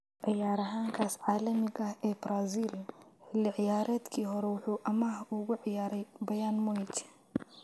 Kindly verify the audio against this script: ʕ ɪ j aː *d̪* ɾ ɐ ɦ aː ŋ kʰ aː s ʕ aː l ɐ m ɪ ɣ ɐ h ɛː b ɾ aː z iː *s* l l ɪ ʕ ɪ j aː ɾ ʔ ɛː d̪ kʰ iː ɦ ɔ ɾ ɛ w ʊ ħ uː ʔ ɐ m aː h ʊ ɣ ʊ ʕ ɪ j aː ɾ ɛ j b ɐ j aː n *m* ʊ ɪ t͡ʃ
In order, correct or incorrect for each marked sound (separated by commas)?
incorrect, incorrect, correct